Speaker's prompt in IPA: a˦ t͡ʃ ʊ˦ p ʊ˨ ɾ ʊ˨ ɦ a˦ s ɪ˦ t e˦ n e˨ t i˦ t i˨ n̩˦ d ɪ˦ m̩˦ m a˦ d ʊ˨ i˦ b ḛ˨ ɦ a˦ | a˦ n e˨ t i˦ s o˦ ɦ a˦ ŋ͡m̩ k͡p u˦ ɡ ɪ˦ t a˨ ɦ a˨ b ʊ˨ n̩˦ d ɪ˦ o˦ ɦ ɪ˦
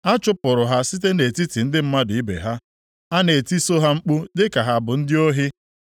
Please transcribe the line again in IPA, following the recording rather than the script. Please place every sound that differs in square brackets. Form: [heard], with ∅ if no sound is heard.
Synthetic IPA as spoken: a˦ t͡ʃ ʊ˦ p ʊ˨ ɾ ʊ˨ ɦ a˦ s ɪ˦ t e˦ n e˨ t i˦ t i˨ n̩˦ d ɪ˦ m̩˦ m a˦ d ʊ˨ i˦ b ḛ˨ ɦ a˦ | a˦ n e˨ t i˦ s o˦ ɦ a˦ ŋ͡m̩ k͡p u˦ [d] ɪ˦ [k] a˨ ɦ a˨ b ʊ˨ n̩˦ d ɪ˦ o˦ ɦ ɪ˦